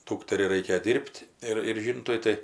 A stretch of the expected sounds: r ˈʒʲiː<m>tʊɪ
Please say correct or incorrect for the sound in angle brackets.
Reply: incorrect